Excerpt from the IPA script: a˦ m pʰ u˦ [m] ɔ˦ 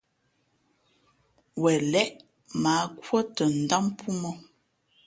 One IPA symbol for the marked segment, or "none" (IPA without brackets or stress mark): m